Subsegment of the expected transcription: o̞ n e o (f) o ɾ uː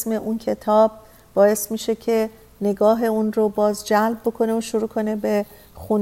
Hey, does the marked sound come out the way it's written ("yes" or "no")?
no